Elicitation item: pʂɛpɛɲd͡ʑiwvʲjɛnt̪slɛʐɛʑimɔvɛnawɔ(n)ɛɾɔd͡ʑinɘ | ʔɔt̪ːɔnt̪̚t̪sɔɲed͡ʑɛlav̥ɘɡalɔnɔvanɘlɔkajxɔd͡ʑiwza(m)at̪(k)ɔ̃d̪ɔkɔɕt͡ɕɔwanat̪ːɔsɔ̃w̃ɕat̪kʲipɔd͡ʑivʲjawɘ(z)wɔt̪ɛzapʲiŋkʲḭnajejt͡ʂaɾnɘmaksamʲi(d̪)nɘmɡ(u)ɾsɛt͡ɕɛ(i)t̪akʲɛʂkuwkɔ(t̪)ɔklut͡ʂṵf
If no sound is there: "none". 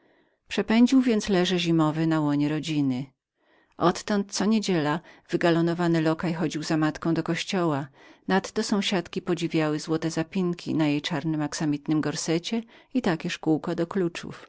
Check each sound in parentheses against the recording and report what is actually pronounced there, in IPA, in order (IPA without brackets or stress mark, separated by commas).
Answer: ɲ, m, k, z, t̪, ɔ, i, d̪